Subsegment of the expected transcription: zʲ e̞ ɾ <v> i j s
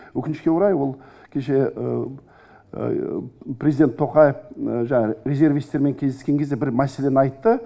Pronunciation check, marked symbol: correct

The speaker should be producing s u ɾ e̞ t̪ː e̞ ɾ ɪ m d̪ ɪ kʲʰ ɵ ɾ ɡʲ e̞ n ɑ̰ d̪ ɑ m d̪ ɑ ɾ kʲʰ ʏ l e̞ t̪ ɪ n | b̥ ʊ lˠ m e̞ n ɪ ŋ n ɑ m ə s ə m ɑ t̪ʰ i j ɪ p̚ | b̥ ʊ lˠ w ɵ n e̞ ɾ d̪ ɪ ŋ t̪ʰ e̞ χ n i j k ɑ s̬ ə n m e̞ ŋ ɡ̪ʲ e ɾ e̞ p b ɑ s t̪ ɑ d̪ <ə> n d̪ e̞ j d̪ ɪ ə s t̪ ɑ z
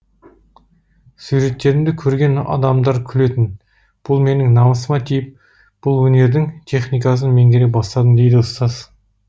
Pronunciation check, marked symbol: correct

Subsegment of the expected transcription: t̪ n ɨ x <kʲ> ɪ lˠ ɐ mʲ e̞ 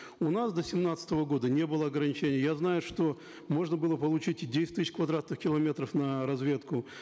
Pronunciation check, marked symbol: correct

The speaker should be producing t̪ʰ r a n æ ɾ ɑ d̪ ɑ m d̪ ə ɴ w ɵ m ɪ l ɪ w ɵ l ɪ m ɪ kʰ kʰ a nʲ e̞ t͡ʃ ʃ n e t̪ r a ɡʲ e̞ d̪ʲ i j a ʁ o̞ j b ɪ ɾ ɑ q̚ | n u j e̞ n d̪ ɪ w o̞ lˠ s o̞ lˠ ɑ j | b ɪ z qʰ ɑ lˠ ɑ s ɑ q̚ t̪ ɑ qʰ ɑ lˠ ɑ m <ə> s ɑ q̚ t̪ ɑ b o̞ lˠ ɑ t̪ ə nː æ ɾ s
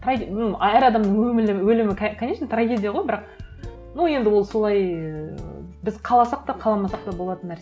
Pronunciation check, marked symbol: incorrect: ɑ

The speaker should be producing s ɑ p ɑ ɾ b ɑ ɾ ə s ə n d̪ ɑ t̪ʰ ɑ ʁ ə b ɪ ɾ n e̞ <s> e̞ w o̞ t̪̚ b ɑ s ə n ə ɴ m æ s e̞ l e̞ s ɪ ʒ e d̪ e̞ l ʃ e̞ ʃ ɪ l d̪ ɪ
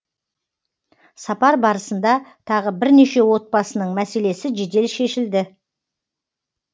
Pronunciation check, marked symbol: incorrect: ʃ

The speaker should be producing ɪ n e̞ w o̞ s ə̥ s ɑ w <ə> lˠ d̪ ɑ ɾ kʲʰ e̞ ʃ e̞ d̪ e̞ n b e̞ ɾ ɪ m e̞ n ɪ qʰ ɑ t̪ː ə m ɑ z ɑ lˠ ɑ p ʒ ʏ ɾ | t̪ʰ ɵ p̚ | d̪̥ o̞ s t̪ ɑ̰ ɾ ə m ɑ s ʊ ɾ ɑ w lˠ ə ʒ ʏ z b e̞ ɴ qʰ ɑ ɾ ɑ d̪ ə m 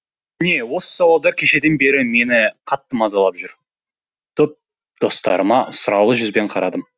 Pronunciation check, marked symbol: incorrect: ɑ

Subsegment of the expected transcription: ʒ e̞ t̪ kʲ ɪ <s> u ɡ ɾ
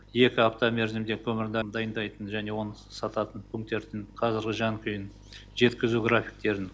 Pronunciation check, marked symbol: incorrect: z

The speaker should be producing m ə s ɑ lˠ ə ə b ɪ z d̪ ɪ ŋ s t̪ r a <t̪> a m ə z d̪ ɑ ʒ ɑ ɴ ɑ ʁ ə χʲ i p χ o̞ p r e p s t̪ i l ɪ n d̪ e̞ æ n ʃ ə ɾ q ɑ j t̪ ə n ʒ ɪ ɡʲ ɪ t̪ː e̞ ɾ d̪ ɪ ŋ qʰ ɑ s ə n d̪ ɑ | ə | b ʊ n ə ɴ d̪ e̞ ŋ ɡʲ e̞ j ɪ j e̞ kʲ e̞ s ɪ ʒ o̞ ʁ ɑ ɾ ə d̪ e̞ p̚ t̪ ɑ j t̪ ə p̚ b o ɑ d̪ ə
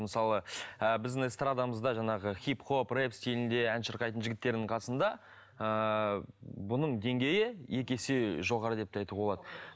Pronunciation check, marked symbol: incorrect: d̪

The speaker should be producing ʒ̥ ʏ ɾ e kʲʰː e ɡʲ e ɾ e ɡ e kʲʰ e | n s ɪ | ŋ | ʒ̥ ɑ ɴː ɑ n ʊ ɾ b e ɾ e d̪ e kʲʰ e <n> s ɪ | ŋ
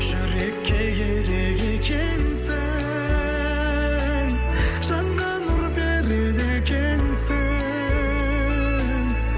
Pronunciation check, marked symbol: correct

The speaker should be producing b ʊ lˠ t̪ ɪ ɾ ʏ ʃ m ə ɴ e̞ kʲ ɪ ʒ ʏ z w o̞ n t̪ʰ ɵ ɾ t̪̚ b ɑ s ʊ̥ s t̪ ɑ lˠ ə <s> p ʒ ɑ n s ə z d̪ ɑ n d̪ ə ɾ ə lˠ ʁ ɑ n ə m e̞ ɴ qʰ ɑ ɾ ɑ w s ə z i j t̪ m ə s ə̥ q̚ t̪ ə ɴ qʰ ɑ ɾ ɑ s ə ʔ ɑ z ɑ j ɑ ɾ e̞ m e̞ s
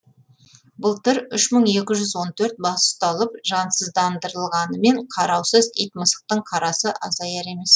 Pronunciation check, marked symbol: incorrect: none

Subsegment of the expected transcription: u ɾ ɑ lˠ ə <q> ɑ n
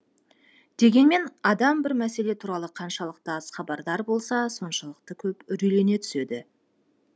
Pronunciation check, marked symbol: incorrect: qʰ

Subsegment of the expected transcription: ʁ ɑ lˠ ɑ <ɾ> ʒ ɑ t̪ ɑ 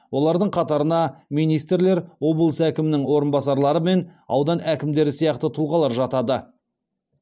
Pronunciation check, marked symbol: correct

